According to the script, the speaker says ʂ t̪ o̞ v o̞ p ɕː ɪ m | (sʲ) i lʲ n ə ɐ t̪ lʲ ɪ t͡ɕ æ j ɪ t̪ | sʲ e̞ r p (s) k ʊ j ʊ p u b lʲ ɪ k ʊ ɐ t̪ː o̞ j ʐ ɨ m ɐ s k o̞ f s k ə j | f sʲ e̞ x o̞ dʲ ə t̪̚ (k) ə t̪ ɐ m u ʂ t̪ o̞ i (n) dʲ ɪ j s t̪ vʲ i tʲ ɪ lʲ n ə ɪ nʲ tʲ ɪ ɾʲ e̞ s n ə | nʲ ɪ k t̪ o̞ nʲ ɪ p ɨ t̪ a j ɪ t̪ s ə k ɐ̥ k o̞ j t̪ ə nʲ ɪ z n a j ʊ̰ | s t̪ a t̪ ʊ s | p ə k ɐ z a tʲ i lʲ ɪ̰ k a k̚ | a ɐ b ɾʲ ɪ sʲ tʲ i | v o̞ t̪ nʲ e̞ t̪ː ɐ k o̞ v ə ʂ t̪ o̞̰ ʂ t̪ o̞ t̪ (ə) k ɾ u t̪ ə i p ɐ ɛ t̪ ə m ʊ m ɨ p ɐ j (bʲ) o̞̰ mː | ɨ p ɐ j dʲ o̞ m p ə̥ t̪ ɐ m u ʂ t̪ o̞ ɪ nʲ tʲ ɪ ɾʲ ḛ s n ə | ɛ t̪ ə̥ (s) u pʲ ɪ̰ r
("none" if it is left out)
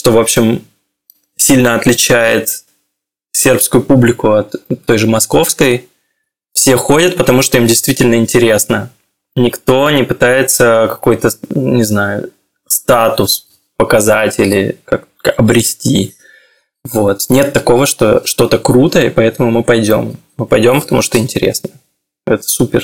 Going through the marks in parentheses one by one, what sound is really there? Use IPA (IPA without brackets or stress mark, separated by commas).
sʲ, s, p, m, ə, dʲ, s